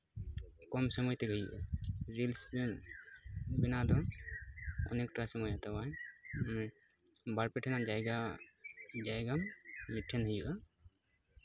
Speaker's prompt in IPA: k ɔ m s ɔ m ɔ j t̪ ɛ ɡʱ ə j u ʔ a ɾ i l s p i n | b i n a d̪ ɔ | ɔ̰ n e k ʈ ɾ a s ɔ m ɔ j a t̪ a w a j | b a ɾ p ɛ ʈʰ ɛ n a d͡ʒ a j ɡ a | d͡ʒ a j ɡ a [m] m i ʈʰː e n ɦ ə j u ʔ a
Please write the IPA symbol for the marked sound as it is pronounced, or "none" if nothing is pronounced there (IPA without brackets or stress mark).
m